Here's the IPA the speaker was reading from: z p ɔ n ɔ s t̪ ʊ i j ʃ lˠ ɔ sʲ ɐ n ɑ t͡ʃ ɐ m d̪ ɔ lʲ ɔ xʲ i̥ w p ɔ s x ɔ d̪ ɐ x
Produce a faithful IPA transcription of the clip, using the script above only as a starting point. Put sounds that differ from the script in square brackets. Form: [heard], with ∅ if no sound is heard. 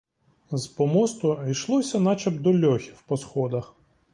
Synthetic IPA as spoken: z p ɔ [m] ɔ s t̪ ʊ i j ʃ lˠ ɔ sʲ ɐ n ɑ t͡ʃ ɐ [b] d̪ ɔ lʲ ɔ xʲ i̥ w p ɔ s x ɔ d̪ ɐ x